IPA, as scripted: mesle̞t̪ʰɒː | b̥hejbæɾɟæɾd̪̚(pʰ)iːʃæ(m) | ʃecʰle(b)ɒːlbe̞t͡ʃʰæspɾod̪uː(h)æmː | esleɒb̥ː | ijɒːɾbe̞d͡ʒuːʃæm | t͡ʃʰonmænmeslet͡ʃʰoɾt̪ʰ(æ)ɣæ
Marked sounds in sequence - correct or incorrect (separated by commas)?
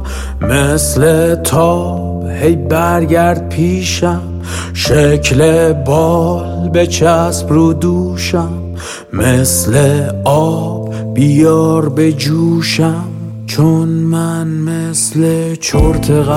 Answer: correct, correct, correct, incorrect, incorrect